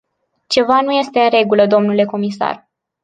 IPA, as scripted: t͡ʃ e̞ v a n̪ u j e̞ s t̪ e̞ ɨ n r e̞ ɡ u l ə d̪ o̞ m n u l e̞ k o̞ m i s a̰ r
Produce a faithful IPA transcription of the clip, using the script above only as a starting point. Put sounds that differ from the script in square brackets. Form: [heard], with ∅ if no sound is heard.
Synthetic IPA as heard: t͡ʃ e̞ v a n̪ u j e̞ s t̪ e̞ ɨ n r e̞ ɡ u l ə d̪ o̞ m n u l e̞ k o̞ m i s a̰ r